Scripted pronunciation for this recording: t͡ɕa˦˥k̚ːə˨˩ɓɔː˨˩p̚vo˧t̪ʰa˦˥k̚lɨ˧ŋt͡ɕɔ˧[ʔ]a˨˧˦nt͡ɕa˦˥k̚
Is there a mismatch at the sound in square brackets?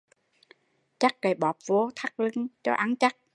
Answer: no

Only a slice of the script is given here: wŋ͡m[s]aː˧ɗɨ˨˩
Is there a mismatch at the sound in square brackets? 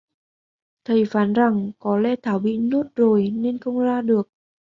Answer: yes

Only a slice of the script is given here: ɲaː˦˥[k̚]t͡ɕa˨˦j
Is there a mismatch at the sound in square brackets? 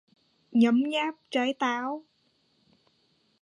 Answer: yes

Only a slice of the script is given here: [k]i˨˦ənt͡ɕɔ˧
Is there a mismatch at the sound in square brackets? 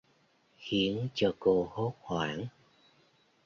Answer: yes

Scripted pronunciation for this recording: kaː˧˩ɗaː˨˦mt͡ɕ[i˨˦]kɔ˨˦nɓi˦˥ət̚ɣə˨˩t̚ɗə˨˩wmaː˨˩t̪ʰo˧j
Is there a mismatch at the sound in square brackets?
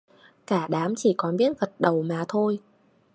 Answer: yes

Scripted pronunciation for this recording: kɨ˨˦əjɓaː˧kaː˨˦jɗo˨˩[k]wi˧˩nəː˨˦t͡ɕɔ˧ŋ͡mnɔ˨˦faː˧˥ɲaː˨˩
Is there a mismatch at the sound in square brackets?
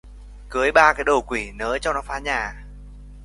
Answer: no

